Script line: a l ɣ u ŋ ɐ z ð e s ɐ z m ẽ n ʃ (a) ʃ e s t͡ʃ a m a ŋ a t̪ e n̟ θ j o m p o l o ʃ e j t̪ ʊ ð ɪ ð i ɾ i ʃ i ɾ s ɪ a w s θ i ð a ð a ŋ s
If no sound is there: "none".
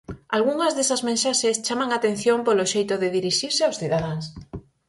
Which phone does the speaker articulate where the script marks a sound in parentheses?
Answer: a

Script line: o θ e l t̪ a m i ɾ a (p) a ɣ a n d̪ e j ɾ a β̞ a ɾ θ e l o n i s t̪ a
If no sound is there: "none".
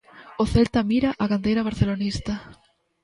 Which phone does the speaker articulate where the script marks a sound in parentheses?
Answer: ʔ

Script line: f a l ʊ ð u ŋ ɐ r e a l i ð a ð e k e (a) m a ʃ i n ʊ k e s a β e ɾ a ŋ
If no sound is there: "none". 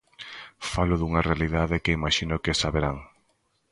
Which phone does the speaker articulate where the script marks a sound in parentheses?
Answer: i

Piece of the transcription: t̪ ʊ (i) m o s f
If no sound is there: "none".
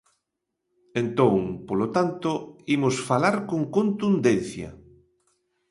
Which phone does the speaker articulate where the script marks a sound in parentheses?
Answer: i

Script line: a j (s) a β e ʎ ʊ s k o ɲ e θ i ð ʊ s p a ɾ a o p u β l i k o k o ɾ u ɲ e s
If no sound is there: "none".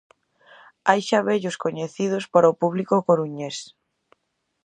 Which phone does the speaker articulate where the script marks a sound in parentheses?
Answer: ʃ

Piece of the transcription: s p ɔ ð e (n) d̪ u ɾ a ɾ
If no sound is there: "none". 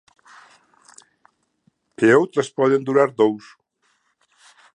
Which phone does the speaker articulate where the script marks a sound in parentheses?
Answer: n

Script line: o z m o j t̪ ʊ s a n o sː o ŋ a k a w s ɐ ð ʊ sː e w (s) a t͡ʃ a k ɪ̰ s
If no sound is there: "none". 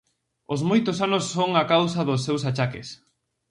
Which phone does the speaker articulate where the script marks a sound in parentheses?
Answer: s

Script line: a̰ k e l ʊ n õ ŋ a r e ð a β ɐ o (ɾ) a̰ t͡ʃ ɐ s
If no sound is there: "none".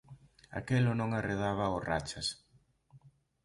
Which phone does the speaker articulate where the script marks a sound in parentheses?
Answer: r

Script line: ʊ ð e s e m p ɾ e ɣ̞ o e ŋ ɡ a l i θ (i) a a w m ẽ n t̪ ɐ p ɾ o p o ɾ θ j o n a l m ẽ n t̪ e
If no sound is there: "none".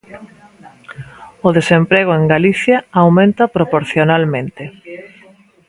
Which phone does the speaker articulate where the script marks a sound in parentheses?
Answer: j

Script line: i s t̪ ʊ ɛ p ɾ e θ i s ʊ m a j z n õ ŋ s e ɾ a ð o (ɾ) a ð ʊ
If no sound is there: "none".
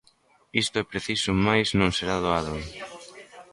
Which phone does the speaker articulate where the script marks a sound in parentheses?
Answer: none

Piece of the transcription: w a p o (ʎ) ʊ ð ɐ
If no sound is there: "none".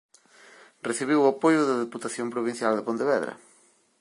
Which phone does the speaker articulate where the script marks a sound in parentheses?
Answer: j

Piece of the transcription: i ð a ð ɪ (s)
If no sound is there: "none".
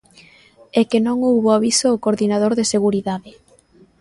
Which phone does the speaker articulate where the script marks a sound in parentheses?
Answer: none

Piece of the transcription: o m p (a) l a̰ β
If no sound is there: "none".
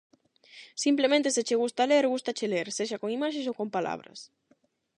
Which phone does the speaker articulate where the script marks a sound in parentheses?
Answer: a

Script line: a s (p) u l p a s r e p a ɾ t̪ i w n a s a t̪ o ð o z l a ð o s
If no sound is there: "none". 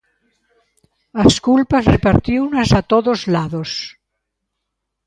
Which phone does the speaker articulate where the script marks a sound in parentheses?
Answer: k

